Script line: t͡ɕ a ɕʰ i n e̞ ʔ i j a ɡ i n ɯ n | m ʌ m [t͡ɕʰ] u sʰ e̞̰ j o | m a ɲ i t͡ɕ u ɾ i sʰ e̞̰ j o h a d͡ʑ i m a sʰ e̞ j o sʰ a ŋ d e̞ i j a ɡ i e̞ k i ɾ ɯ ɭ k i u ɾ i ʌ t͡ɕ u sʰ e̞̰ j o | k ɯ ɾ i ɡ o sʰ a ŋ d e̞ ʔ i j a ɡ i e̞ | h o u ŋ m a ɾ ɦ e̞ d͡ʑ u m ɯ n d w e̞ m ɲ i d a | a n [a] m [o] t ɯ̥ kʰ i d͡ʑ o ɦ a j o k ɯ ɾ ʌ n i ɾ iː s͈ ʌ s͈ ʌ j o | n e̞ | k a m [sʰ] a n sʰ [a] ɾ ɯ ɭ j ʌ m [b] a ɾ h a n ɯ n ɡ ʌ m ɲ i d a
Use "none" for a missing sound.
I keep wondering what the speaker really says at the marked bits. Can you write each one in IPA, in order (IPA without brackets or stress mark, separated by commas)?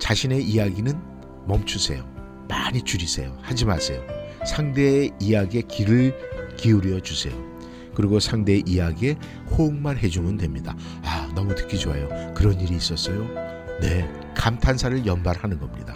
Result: t͡ɕʰ, ʌ, u, tʰ, a, b